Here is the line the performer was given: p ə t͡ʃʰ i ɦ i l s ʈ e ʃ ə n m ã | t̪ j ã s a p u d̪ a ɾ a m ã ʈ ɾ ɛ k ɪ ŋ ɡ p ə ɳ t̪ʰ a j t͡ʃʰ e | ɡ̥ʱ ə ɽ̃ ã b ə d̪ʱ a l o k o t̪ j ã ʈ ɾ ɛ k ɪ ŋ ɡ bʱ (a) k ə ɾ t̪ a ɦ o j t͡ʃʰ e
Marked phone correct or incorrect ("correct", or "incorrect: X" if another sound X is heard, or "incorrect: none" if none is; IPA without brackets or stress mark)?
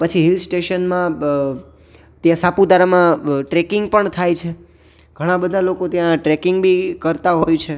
incorrect: i